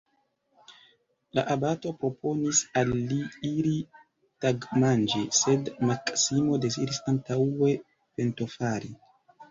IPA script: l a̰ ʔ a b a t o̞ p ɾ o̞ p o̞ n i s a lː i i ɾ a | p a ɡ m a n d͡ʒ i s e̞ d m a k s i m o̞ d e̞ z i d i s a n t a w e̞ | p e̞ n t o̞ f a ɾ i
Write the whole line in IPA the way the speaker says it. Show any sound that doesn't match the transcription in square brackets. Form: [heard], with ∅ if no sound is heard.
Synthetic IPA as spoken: l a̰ ʔ a b a t o̞ p ɾ o̞ p o̞ n i s a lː i i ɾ [i] | [t] a ɡ m a n d͡ʒ i s e̞ d m a k s i m o̞ d e̞ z i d i s a n t a w e̞ | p e̞ n t o̞ f a ɾ i